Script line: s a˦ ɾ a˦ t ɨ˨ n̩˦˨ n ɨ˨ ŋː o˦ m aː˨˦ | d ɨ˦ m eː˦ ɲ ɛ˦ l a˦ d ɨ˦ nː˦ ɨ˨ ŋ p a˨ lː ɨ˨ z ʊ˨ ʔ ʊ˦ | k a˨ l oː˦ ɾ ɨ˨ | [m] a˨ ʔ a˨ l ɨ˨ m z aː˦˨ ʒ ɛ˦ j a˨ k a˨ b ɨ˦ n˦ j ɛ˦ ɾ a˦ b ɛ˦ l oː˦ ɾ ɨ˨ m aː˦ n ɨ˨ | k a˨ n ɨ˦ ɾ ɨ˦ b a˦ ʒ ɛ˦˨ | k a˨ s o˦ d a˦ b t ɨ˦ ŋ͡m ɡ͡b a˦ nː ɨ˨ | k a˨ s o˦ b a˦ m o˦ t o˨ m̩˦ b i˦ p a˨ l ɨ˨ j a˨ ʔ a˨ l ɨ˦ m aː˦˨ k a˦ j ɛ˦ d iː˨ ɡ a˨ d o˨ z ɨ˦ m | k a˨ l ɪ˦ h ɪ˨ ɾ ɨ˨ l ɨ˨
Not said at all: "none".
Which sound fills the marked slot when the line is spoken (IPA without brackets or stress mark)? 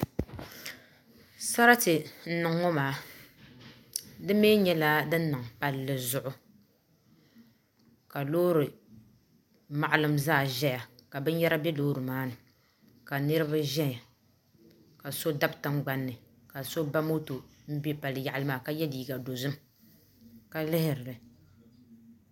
m